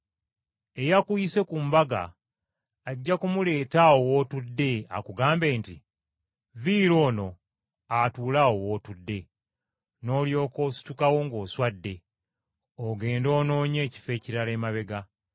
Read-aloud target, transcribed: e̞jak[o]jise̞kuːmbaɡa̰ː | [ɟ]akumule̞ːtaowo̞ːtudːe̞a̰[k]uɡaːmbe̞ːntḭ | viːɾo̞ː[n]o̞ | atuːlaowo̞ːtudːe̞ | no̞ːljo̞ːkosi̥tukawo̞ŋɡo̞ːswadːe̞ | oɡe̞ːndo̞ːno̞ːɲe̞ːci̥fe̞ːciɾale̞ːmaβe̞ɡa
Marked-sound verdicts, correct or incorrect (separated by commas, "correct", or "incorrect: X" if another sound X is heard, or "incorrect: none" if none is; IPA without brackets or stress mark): incorrect: u, incorrect: ɟː, correct, correct